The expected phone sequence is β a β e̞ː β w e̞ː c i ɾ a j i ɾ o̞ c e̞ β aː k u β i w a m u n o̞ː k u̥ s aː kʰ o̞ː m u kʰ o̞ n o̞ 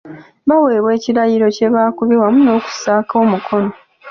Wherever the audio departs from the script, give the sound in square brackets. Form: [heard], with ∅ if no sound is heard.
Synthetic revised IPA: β a [w] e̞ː β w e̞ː c i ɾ a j i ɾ o̞ c e̞ β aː k u β i w a m u n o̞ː k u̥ s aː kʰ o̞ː m u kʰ o̞ n o̞